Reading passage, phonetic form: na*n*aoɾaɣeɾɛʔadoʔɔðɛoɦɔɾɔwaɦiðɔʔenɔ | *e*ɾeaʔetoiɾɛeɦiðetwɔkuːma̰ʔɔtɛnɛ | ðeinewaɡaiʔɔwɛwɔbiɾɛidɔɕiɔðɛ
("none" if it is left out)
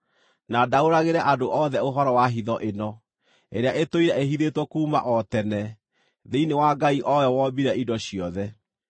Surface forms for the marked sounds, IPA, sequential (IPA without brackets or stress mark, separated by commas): d, e